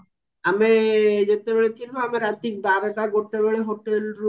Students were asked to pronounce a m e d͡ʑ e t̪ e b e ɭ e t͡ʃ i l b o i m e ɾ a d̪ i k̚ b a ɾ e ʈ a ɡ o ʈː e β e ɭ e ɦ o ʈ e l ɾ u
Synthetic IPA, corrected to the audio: a m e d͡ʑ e t̪ e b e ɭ e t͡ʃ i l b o a m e ɾ a t̪ i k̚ b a ɾ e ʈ a ɡ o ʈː e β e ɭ e ɦ o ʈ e l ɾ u